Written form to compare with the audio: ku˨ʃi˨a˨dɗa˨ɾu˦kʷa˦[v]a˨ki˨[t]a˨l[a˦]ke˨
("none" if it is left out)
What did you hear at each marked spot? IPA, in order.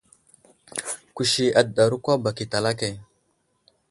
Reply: b, t, a˦

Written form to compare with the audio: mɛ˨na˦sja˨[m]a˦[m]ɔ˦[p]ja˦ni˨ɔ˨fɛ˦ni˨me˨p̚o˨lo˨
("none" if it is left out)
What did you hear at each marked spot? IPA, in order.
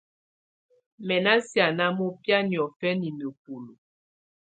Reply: n, m, p

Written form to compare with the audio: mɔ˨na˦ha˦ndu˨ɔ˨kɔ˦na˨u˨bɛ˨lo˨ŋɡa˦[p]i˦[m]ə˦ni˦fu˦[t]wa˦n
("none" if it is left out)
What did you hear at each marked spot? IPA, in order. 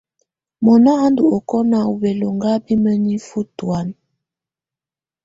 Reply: b, m, t

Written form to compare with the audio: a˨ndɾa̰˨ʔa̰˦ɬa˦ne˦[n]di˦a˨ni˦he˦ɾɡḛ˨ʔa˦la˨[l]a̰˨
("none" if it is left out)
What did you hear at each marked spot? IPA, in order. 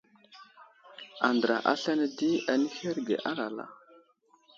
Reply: none, l

